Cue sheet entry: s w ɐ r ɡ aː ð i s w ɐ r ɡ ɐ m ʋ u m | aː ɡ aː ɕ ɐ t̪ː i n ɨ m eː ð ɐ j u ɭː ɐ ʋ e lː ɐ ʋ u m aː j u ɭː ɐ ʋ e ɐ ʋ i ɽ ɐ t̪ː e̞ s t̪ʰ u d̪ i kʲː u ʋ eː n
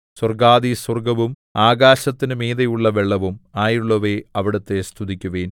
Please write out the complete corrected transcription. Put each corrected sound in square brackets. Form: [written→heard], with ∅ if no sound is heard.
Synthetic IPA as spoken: s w ɐ r ɡ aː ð i s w ɐ r ɡ ɐ [m→∅] ʋ u m | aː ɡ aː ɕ ɐ t̪ː i n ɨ m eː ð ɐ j u ɭː ɐ ʋ e [lː→ɭː] ɐ ʋ u m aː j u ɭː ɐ ʋ e ɐ ʋ i ɽ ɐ t̪ː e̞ s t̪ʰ u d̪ i kʲː u ʋ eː n